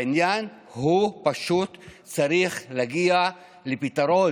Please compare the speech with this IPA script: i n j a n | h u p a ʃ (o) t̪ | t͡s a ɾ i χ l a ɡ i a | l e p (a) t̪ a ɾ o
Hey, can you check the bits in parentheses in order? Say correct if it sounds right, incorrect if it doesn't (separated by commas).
incorrect, incorrect